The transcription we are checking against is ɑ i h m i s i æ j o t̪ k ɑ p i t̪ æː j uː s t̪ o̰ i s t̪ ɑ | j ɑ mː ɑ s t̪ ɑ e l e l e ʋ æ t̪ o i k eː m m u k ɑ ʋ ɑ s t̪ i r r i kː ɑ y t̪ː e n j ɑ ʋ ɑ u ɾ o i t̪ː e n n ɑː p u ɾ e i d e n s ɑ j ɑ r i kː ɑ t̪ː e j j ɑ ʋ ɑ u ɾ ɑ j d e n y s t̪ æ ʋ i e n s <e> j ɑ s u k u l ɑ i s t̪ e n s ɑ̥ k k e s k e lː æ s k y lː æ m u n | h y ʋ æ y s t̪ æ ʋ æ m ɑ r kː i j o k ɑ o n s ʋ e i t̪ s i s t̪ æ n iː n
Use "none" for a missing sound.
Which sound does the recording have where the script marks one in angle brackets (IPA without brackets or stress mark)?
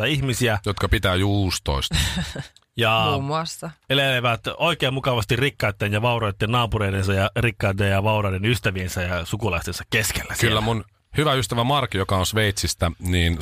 æ